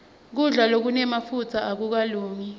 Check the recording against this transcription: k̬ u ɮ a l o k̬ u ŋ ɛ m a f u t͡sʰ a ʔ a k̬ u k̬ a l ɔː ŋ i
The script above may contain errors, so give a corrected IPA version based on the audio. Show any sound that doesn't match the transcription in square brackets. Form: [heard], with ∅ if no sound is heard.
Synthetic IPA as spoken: k̬ u ɮ a l o k̬ u [n] ɛ m a f u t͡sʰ a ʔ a k̬ u k̬ a l [uː] ŋ i